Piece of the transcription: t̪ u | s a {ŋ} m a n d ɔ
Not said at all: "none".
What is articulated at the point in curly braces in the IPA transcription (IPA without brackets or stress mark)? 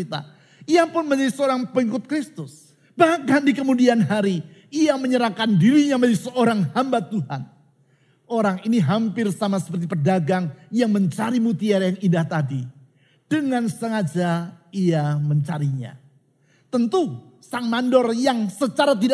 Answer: ŋ